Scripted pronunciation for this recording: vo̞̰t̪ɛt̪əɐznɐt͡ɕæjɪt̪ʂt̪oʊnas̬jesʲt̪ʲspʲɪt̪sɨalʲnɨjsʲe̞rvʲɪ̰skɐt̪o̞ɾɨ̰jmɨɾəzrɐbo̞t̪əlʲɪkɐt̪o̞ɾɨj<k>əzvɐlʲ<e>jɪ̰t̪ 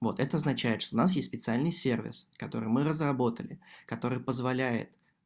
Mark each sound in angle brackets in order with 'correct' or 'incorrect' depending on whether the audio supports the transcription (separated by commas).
incorrect, incorrect